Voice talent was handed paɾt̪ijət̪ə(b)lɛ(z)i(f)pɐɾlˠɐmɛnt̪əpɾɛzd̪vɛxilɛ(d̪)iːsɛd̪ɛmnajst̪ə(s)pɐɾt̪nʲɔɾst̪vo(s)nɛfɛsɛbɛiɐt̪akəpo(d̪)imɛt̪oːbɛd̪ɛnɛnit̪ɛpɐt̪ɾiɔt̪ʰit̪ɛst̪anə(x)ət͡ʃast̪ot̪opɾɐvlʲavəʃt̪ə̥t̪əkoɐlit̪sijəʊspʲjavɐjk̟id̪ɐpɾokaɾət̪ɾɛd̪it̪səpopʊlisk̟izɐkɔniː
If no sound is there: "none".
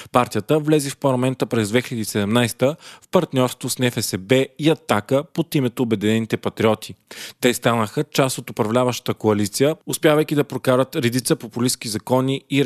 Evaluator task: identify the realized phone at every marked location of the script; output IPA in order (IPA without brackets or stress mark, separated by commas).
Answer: v, z, f, d̪, f, s, t̪, x